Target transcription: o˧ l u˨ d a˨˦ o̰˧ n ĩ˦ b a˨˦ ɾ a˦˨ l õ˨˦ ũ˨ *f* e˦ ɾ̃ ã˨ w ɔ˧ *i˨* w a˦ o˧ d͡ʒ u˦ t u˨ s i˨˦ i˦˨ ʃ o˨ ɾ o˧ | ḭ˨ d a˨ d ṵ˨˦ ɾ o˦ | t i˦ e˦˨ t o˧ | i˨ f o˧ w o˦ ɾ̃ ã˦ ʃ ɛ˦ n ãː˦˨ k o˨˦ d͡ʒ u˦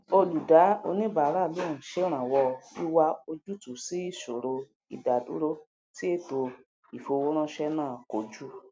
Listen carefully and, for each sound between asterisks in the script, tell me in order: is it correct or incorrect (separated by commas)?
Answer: incorrect, incorrect